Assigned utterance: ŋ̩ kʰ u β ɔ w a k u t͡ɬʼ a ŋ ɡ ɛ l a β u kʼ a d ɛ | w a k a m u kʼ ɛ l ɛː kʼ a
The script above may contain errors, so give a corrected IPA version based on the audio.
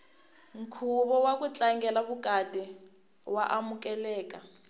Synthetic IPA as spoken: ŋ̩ kʰ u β ɔ w a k u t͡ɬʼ a ŋ ɡ ɛ l a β u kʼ a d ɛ | w a ʔ a m u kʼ ɛ l ɛː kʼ a

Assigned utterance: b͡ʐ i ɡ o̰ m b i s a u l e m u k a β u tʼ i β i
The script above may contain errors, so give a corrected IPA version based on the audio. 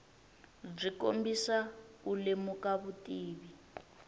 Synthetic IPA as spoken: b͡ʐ i k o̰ m b i s a u l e m u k a β u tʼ iː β i

